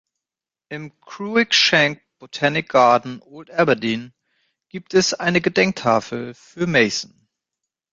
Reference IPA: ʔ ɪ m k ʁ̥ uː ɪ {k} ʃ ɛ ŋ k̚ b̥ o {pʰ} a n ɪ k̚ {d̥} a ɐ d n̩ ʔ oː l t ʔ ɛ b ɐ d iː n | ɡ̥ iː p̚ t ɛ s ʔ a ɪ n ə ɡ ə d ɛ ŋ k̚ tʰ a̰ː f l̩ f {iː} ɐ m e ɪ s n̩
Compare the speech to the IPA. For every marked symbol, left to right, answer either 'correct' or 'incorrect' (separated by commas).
correct, incorrect, incorrect, incorrect